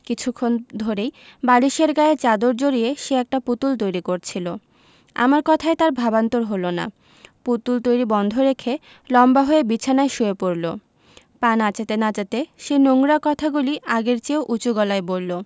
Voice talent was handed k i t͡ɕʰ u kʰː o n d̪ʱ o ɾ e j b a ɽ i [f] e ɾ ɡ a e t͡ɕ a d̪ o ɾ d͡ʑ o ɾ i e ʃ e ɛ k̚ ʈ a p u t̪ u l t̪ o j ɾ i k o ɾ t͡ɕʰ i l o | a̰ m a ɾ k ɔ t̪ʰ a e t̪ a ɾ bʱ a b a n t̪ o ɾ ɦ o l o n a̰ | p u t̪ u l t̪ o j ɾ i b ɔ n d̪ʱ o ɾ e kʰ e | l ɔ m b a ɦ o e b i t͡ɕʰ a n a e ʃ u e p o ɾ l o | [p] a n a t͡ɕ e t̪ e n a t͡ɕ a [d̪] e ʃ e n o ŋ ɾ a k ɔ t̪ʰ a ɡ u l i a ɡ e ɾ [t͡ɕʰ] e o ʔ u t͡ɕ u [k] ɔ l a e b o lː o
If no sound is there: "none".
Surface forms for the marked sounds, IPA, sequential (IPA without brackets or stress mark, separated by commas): ʃ, p, t̪, t͡ɕ, ɡ